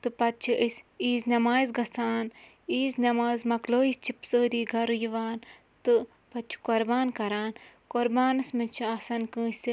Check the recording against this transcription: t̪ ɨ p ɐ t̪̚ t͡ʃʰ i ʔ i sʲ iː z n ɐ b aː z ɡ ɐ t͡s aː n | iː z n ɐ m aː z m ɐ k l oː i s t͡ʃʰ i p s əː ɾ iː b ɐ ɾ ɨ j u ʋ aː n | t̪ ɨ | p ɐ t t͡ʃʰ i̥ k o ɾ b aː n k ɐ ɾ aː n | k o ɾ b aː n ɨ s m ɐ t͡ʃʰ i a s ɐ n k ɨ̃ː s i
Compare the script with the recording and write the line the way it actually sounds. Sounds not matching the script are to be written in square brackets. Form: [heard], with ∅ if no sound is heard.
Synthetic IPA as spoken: t̪ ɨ p ɐ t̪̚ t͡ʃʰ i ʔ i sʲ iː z n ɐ [m] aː z ɡ ɐ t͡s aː n | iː z n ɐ m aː z m ɐ k l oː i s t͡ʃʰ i p s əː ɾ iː [ɡ] ɐ ɾ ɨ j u ʋ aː n | t̪ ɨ | p ɐ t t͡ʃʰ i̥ k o ɾ b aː n k ɐ ɾ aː n | k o ɾ b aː n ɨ s m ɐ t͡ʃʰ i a s ɐ n k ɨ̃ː s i